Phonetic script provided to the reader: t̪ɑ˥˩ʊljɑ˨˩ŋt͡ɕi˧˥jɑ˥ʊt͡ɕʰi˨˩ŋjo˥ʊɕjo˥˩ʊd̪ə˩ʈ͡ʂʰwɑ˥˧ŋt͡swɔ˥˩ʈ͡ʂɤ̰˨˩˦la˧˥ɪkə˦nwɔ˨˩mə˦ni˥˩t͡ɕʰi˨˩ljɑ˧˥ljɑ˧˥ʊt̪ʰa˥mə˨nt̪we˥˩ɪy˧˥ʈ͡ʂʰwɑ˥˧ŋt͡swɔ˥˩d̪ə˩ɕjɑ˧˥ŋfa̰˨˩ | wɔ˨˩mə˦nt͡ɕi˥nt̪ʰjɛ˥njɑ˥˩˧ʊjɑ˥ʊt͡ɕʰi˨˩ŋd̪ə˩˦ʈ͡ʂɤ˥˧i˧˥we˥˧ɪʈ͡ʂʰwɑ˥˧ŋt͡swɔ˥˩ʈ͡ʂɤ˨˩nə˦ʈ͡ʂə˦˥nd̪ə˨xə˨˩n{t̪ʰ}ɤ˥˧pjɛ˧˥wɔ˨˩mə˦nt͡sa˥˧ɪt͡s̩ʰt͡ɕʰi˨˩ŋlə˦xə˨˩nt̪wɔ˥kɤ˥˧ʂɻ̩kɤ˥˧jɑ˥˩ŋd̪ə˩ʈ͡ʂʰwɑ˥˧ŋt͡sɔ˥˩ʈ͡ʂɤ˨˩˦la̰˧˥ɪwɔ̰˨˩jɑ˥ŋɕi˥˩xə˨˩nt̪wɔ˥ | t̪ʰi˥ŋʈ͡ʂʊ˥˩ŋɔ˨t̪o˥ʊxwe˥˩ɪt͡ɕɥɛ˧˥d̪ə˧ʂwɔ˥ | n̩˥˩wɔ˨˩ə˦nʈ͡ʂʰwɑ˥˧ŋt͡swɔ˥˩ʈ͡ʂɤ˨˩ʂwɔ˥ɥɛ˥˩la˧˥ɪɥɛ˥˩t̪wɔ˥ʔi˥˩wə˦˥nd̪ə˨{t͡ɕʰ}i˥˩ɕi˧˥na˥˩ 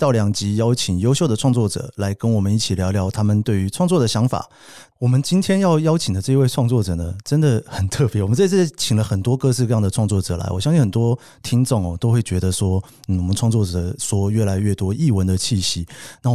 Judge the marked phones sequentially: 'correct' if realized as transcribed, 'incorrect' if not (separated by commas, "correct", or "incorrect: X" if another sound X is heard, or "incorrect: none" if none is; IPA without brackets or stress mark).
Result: correct, correct